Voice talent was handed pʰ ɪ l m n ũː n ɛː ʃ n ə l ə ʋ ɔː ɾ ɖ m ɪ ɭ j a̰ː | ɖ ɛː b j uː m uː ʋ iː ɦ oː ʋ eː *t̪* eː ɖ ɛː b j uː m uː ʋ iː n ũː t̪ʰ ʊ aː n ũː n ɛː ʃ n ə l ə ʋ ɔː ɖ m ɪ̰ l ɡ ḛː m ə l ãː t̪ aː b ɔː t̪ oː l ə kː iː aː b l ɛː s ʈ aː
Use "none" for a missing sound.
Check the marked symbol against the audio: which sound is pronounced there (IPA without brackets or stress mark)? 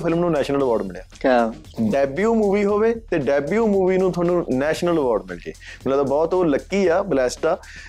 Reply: t̪